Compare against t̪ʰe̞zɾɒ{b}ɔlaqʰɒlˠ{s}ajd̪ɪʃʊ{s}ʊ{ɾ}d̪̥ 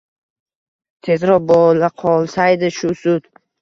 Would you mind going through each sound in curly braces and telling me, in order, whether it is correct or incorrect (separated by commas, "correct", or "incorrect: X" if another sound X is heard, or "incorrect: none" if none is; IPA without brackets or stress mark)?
correct, correct, correct, incorrect: none